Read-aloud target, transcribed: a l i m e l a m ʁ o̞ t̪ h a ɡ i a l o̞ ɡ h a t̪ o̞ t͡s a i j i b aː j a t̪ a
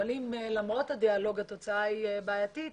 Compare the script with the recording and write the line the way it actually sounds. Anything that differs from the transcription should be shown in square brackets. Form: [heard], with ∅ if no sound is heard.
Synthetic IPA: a l i m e l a m ʁ o̞ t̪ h a [d] i a l o̞ ɡ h a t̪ o̞ t͡s a [a] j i b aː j a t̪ [i]